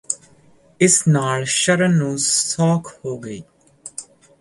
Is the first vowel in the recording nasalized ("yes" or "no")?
no